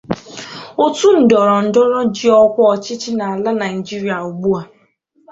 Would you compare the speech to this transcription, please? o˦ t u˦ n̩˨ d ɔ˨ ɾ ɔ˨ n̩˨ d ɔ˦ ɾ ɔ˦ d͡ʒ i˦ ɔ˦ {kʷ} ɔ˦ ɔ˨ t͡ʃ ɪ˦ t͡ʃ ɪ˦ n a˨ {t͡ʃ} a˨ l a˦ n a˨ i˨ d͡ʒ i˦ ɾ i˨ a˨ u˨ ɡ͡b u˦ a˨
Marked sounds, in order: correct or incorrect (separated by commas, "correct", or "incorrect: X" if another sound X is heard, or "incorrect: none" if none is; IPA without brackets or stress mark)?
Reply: correct, incorrect: none